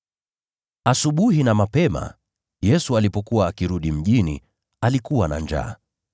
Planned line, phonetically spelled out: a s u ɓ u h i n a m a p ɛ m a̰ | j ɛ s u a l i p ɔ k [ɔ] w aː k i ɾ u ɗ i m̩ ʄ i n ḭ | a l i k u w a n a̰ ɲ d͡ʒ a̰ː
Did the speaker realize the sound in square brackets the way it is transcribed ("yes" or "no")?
no